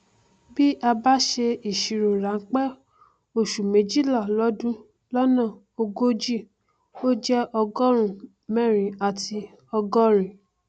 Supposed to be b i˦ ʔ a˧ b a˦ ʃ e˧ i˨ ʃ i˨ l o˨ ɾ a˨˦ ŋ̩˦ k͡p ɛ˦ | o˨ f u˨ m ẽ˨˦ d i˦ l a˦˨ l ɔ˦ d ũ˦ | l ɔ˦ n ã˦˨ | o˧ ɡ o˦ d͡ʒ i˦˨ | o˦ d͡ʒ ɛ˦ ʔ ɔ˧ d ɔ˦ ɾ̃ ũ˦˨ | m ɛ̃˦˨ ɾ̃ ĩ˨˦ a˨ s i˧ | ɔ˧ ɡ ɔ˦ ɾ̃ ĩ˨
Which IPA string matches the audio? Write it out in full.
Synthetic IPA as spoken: b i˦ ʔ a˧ b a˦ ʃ e˧ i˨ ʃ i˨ ɾ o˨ ɾ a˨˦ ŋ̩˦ k͡p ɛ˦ | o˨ ʃ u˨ m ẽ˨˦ d͡ʒ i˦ l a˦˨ l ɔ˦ d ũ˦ | l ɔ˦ n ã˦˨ | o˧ ɡ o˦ d͡ʒ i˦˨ | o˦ d͡ʒ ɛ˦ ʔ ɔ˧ ɡ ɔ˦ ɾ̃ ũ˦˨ | m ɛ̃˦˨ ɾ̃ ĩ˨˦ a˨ t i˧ | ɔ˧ ɡ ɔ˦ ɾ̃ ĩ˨